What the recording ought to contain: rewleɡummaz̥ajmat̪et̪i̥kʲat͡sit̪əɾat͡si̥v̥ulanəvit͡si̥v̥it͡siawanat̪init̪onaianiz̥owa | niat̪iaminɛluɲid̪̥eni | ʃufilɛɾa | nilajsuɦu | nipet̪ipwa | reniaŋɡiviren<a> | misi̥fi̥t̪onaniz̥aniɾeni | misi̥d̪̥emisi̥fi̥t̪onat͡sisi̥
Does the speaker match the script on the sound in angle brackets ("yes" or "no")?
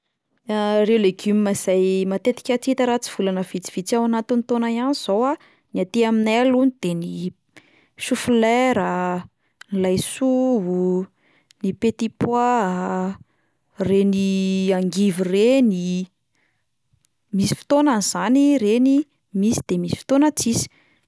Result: no